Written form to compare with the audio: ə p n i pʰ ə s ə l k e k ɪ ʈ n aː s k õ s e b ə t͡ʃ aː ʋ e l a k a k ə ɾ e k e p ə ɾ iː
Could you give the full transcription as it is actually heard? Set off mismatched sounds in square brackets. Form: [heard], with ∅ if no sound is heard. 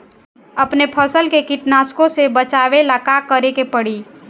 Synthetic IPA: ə p n [e] pʰ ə s ə l k e k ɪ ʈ n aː s k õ s e b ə t͡ʃ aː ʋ e l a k a k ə ɾ e k e p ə [ɽ] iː